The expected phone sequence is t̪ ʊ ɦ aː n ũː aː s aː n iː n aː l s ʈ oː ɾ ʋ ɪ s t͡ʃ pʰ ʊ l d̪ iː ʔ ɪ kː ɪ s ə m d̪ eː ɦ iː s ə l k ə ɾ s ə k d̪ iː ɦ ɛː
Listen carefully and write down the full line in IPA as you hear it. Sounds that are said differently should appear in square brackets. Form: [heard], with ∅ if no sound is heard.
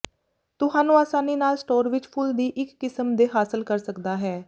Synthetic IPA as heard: t̪ ʊ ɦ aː n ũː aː s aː n iː n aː l s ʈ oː ɾ ʋ ɪ [∅] t͡ʃ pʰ ʊ l d̪ iː ʔ ɪ kː ɪ s ə m d̪ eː ɦ [aː] s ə l k ə ɾ s ə k d̪ [aː] ɦ ɛː